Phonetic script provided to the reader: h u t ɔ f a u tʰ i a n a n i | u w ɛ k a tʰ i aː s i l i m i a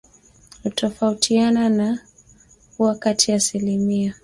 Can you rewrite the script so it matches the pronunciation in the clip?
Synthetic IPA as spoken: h u t ɔ f a u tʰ i a n a n a | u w a k a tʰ i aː s i l i m i a